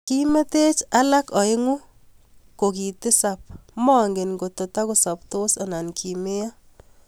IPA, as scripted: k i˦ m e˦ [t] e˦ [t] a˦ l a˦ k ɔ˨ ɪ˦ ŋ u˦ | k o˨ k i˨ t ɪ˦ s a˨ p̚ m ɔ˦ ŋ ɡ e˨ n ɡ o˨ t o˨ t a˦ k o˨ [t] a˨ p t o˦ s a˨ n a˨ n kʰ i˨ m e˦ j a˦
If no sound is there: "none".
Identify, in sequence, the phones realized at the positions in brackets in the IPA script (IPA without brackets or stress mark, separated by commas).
t, t͡ʃ, s